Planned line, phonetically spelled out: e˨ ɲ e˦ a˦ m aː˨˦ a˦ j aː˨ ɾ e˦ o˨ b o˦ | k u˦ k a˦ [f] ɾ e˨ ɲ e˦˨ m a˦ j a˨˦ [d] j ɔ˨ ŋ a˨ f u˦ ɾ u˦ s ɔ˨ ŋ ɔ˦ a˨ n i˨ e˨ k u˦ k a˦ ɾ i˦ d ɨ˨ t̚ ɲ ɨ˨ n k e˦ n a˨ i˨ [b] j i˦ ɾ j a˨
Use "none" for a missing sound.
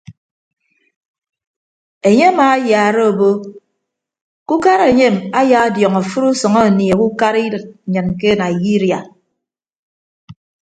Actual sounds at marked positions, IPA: none, d, none

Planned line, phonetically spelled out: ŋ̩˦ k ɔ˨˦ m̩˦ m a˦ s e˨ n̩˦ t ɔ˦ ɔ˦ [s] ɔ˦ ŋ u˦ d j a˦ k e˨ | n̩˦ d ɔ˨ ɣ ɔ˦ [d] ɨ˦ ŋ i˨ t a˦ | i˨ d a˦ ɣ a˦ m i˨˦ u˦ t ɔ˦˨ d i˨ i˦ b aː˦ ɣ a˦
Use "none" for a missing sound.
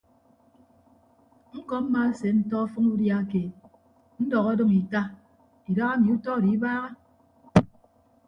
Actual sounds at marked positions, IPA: f, d

